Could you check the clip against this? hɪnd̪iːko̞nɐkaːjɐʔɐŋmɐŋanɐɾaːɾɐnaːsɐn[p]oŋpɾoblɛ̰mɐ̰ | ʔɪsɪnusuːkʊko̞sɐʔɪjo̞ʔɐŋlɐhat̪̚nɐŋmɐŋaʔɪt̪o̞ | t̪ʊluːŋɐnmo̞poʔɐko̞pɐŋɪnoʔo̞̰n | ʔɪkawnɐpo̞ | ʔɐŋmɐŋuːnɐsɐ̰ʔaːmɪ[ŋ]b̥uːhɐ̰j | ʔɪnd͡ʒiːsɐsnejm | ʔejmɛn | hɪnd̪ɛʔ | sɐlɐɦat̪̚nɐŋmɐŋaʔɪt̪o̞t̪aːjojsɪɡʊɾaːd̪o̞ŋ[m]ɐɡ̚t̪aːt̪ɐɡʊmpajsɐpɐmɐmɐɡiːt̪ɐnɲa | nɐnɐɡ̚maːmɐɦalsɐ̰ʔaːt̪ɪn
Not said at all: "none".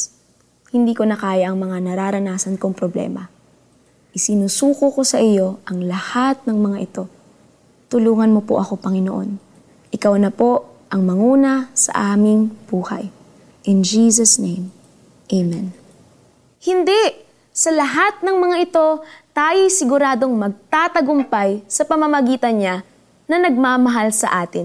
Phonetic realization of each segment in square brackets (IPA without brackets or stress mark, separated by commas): k, ŋ, m